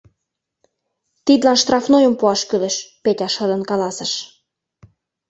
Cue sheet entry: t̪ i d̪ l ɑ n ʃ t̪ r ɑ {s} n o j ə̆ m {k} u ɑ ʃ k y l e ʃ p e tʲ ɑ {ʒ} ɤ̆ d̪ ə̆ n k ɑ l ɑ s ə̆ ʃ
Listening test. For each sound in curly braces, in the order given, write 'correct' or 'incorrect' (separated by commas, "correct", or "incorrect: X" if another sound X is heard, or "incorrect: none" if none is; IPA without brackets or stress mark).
incorrect: f, incorrect: p, incorrect: ʃ